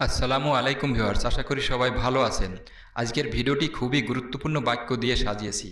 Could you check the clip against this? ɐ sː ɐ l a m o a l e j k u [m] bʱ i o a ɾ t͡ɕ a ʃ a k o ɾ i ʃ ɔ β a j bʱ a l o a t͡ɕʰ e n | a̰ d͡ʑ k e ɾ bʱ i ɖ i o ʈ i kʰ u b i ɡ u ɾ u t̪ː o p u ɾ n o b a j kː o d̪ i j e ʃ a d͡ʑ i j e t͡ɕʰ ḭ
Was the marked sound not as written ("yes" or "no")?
no